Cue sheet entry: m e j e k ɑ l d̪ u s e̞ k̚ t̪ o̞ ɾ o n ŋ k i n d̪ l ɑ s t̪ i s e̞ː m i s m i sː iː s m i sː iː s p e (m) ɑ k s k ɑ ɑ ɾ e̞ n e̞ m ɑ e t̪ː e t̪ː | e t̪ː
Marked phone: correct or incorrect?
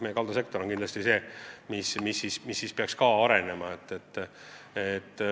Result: incorrect